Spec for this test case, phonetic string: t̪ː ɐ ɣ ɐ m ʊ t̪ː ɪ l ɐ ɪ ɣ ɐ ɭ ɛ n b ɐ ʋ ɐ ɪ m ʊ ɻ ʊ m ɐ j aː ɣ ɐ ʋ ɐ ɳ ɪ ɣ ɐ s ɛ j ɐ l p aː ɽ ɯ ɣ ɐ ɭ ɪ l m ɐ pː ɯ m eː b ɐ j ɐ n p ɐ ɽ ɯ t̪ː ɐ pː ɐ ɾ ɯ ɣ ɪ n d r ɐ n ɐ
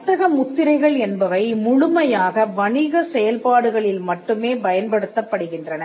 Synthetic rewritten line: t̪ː ɐ ɣ ɐ m ʊ t̪ː ɪ ɾ ɐ ɪ ɣ ɐ ɭ ɛ n b ɐ ʋ ɐ ɪ m ʊ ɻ ʊ m ɐ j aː ɣ ɐ ʋ ɐ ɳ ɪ ɣ ɐ s ɛ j ɐ l p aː ɽ ɯ ɣ ɐ ɭ ɪ l m ɐ ʈː ɯ m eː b ɐ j ɐ n p ɐ ɽ ɯ t̪ː ɐ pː ɐ ɽ ɯ ɣ ɪ n d r ɐ n ɐ